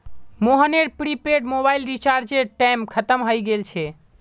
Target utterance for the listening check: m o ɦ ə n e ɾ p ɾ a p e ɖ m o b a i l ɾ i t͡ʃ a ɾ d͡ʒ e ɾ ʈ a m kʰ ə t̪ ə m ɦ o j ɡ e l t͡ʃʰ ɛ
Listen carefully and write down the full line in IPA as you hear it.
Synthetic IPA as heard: m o ɦ ə n e ɾ p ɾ i p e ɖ m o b a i l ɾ i t͡ʃ a ɾ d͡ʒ e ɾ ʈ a m kʰ ə t̪ ə m ɦ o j ɡ e l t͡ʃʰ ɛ